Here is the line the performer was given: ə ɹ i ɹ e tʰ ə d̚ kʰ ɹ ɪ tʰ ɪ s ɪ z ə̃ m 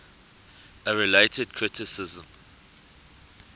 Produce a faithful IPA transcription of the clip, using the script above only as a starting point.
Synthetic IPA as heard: ə ɹ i l e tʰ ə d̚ kʰ ɹ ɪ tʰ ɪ s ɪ z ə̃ m